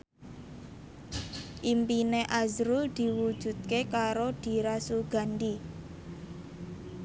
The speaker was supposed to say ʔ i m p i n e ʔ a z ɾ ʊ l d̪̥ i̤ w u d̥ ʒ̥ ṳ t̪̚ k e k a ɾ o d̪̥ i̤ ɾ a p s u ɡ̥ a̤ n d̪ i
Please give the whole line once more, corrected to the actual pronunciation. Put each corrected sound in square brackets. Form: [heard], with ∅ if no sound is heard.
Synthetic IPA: ʔ i m p i n e ʔ a z ɾ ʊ l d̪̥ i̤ w u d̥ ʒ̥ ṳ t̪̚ k e k a ɾ o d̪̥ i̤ ɾ a [∅] s u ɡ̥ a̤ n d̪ i